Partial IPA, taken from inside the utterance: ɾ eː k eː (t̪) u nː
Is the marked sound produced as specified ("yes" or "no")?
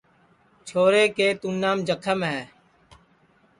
yes